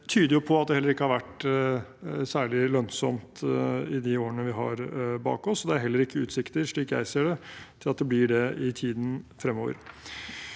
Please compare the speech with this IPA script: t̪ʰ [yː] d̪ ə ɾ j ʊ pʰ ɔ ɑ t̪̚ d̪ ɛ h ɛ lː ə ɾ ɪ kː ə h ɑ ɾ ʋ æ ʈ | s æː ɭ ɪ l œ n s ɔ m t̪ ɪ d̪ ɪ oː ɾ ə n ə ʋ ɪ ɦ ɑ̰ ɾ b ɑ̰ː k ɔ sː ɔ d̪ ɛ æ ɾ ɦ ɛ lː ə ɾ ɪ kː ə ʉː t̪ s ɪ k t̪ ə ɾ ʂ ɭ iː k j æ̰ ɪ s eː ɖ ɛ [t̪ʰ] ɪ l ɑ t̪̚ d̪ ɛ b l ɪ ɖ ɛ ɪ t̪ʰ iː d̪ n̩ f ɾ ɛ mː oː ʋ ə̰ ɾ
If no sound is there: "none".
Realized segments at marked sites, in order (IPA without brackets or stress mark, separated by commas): yː, t̪ʰ